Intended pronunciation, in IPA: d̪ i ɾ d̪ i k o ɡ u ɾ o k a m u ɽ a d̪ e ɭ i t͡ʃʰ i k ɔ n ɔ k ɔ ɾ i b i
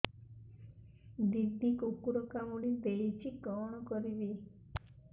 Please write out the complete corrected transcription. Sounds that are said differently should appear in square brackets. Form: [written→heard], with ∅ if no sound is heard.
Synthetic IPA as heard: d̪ i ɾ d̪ i k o [ɡ→k] u ɾ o k a m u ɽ [a→i] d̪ e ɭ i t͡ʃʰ i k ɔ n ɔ k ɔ ɾ i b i